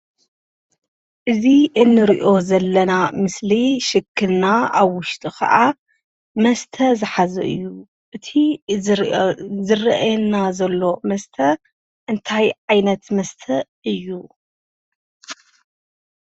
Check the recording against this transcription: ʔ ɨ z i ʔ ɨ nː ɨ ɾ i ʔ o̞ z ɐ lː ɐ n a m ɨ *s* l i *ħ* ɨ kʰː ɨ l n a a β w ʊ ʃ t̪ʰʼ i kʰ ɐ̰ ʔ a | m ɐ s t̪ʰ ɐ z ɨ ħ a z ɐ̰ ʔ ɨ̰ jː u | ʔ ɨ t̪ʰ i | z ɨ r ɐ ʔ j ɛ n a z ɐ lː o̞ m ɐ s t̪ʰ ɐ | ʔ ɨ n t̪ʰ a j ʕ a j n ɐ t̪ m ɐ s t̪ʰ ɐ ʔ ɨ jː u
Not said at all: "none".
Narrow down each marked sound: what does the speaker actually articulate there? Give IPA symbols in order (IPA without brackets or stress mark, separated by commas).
s, ʃ